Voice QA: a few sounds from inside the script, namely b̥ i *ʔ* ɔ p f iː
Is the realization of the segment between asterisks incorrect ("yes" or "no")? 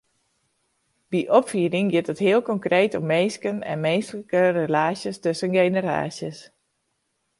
no